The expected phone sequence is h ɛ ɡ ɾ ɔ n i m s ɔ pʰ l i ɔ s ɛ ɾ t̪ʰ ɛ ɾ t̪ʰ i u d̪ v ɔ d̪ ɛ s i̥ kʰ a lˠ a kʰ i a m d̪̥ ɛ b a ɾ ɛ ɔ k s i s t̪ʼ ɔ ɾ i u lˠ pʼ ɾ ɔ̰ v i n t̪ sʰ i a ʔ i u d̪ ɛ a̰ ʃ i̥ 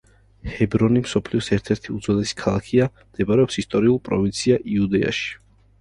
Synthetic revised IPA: h ɛ b ɾ ɔ n i m s ɔ pʰ l i ɔ s ɛ ɾ t̪ʰ ɛ ɾ t̪ʰ i u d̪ z ɔ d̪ ɛ s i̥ kʰ a lˠ a kʰ i a m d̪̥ ɛ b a ɾ ɛ ɔ p s i s t̪ʼ ɔ ɾ i u lˠ pʼ ɾ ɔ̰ v i n t̪ sʰ i a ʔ i u d̪ ɛ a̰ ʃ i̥

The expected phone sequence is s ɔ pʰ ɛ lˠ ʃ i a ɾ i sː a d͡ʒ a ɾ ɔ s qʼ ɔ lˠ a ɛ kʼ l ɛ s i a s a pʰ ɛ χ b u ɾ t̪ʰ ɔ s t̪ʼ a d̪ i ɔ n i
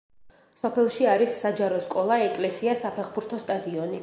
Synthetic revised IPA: s ɔ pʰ ɛ lˠ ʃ i a ɾ i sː a d͡ʒ a ɾ ɔ s kʼ ɔ lˠ a ɛ kʼ l ɛ s i a s a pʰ ɛ χ b u ɾ t̪ʰ ɔ s t̪ʼ a d̪ i ɔ n i

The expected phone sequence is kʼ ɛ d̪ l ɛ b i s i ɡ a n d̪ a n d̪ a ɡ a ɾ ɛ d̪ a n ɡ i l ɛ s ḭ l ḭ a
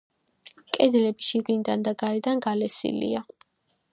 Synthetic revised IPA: kʼ ɛ d̪ l ɛ b i ʃ i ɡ i n d̪ a n d̪ a ɡ a ɾ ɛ d̪ a n ɡ a l ɛ s ḭ l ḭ a

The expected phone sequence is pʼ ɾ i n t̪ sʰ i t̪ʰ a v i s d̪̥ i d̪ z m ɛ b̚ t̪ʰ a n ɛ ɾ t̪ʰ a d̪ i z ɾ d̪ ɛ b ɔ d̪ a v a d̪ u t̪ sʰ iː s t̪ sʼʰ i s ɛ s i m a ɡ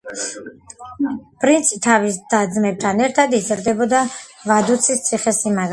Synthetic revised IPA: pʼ ɾ i n t̪ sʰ i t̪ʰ a v i s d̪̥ a d̪ z m ɛ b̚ t̪ʰ a n ɛ ɾ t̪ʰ a d̪ i z ɾ d̪ ɛ b ɔ d̪ a v a d̪ u t̪ sʰ i s t̪ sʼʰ i χ ɛ s i m a ɡ

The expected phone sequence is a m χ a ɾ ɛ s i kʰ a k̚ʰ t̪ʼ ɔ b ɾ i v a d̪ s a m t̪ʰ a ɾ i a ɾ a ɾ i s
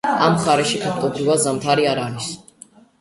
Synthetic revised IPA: a m χ a ɾ ɛ ʃ i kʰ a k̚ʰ t̪ʼ ɔ b ɾ i v a d̪ z a m t̪ʰ a ɾ i a ɾ a ɾ i s

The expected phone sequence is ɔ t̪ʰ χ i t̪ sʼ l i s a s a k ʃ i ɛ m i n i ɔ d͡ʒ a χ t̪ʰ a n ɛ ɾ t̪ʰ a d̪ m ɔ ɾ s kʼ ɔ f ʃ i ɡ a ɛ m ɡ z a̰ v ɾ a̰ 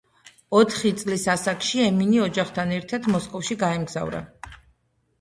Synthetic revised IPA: ɔ t̪ʰ χ i t̪ sʼ l i s a s a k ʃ i ɛ m i n i ɔ d͡ʒ a χ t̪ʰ a n ɛ ɾ t̪ʰ a d̪ m ɔ s kʼ ɔ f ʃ i ɡ a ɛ m ɡ z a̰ v ɾ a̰

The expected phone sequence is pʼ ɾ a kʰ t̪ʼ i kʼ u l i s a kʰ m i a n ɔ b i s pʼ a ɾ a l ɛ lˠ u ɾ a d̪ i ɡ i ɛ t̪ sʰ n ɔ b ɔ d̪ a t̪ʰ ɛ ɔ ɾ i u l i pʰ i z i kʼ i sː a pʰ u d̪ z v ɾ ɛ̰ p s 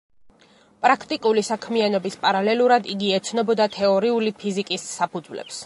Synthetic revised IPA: pʼ ɾ a kʰ t̪ʼ i kʼ u l i s a kʰ m i a n ɔ b i s pʼ a ɾ a l ɛ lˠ u ɾ a d̪ i ɡ i ɛ t̪ sʰ n ɔ b ɔ d̪ a t̪ʰ ɛ ɔ ɾ i u l i pʰ i z i kʼ i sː a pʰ u d̪ z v l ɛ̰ p s

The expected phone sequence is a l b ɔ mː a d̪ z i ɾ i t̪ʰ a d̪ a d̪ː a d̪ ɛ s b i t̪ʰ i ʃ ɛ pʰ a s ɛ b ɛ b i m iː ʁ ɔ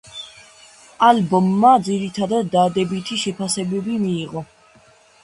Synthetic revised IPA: a l b ɔ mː a d̪ z i ɾ i t̪ʰ a d̪ a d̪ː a d̪ ɛ b i t̪ʰ i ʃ ɛ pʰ a s ɛ b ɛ b i m iː ʁ ɔ

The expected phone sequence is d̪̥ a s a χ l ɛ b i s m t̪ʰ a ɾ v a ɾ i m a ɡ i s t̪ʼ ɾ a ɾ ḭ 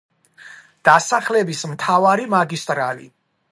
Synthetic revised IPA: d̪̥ a s a χ l ɛ b i s m t̪ʰ a v a ɾ i m a ɡ i s t̪ʼ ɾ a l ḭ

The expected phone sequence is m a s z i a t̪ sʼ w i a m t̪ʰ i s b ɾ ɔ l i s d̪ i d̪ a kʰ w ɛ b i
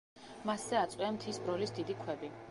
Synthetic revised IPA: m a s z ɛ a t̪ sʼ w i a m t̪ʰ i s b ɾ ɔ l i s d̪ i d̪ i kʰ w ɛ b i

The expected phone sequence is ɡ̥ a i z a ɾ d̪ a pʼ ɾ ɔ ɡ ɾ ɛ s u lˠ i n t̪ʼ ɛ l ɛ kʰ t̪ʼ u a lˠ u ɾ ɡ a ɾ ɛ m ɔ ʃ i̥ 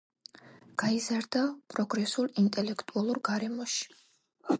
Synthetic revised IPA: ɡ̥ a i z a ɾ d̪ a pʼ ɾ ɔ ɡ ɾ ɛ s u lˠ i n t̪ʼ ɛ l ɛ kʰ t̪ʼ u a lˠ u ɾ ɡ a ɾ ɛ m ɔ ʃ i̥

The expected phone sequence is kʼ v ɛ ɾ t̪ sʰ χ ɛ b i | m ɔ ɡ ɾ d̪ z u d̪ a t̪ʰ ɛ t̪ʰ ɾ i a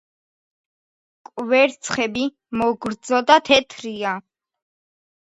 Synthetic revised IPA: kʼ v ɛ ɾ t̪ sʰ χ ɛ b i | m ɔ ɡ ɾ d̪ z ɔ d̪ a t̪ʰ ɛ t̪ʰ ɾ i a

